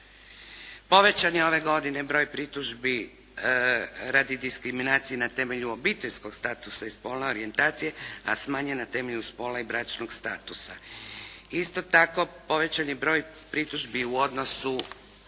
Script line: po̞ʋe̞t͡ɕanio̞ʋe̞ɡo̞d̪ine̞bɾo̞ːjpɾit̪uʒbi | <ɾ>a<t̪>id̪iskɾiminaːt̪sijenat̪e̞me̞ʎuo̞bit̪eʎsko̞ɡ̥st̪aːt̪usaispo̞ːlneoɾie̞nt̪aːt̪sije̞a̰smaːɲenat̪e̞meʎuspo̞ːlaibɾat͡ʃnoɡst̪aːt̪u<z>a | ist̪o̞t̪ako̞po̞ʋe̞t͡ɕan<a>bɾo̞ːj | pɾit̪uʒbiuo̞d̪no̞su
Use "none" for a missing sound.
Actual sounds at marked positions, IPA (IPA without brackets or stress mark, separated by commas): ɾ, d̪, s, i